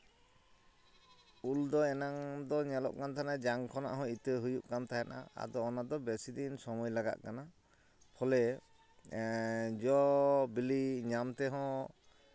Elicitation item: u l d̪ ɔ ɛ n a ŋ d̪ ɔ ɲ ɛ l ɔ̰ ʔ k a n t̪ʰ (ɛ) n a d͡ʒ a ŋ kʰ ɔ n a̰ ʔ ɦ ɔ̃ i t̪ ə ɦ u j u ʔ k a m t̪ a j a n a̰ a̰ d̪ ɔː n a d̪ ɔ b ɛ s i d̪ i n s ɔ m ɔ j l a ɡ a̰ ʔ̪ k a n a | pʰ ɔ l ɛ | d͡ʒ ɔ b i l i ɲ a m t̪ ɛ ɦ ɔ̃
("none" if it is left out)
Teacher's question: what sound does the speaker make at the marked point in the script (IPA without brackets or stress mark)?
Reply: a